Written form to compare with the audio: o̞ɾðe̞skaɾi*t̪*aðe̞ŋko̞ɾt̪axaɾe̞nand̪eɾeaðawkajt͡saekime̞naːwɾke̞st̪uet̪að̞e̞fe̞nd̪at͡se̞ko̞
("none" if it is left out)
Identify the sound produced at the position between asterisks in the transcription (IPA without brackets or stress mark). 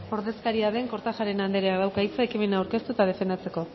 none